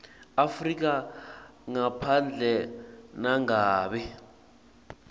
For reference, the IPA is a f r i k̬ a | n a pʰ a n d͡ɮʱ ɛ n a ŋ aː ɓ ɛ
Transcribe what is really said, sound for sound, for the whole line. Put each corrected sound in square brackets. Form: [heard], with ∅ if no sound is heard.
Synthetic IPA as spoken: a f r i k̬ a | [ŋ] a pʰ a n d͡ɮʱ ɛ n a ŋ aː ɓ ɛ